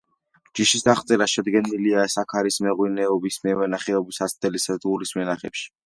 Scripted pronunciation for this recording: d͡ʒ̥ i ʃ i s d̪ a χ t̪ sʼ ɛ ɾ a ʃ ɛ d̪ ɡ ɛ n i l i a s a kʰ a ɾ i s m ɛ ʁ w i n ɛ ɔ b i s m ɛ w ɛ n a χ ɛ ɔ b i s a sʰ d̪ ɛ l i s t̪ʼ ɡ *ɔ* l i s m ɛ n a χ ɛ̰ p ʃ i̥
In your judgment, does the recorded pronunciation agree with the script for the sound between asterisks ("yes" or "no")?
no